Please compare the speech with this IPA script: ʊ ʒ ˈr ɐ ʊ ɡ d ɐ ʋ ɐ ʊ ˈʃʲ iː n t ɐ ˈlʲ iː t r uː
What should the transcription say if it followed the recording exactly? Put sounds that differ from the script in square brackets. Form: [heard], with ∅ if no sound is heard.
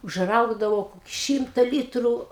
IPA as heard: ʊ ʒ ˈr ɐ ʊ ɡ d ɐ ʋ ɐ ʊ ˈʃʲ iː [m] t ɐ ˈlʲ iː t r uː